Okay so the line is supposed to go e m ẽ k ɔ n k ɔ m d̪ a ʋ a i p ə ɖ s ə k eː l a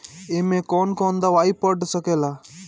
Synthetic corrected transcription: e m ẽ k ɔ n k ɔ n d̪ a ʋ a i p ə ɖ s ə k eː l a